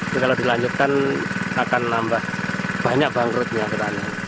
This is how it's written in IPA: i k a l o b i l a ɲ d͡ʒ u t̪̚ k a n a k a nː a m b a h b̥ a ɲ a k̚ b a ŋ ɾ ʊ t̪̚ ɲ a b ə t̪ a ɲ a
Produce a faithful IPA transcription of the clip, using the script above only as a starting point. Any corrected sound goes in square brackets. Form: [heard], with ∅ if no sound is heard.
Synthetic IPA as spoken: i k a l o [d] i l a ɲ d͡ʒ u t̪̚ k a n a k a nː a m b a h b̥ a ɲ a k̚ b a ŋ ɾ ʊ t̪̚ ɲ a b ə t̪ a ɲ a